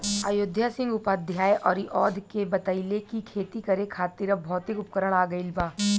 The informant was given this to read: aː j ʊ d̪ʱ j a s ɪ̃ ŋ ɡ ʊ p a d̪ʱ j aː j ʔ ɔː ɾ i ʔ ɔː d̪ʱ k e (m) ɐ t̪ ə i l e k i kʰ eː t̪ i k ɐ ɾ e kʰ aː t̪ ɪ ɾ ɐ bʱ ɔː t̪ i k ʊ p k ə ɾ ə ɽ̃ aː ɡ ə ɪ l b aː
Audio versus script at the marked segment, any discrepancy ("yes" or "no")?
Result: yes